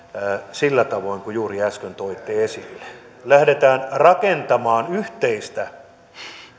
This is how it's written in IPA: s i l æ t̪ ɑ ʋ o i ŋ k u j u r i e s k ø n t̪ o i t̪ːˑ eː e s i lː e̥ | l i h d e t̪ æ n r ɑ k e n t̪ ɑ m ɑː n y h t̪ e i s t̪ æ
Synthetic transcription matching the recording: s i lː æ t̪ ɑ ʋ o i ŋ k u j uː r i æ s k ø n t̪ o i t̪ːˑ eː e s i lː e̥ | l æ h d e t̪ æː n r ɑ k e n t̪ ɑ m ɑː n y h t̪ e i s t̪ æ

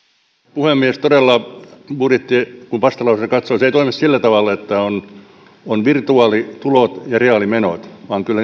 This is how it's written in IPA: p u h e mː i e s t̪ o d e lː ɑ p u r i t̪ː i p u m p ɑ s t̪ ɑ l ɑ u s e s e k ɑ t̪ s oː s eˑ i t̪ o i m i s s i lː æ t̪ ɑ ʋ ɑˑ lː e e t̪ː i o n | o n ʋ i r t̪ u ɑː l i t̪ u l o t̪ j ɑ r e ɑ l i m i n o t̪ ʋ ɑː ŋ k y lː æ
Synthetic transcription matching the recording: p u h e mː i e s t̪ o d e lː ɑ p u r i t̪ː i k u m p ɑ s t̪ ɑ l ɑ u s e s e k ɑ t̪ s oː s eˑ i t̪ o i m i s s i lː æ t̪ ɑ ʋ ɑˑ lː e e t̪ː æ o n | o n ʋ i r t̪ u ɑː l i t̪ u l o t̪ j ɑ r e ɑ l i m e n o t̪ ʋ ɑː ŋ k y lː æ

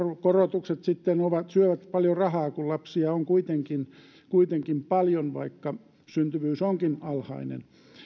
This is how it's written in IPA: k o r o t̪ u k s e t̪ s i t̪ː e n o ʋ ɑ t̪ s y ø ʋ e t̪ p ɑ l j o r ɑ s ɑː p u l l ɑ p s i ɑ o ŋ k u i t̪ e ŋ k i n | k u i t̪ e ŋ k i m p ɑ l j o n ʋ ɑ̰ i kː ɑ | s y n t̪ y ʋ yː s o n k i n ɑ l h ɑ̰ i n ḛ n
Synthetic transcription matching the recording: k o r o t̪ u k s e t̪ s i t̪ː e n o ʋ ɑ t̪ s y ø ʋ æ t̪ p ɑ l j o r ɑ h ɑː k u l l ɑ p s i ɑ o ŋ k u i t̪ e ŋ k i n | k u i t̪ e ŋ k i m p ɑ l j o n ʋ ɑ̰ i kː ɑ | s y n t̪ y ʋ yː s o ŋ k i n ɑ l h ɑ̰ i n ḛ n

